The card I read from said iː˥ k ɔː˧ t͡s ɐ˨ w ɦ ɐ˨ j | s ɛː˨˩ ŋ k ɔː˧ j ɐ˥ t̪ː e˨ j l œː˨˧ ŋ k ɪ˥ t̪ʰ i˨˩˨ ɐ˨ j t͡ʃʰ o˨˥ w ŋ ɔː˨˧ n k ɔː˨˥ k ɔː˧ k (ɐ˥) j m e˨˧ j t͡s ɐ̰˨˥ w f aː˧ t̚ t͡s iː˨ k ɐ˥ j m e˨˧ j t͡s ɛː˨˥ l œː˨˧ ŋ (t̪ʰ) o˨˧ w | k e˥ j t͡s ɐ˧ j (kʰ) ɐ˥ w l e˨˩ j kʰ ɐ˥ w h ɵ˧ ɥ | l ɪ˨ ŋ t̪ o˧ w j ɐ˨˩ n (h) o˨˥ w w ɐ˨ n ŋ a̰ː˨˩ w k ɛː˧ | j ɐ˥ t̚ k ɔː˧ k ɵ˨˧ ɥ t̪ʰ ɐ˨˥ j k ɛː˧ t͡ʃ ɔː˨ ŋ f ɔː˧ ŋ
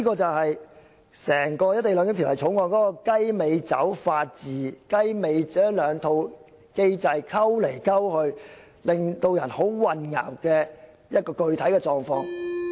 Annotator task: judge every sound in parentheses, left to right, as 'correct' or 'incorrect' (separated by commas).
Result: correct, correct, correct, correct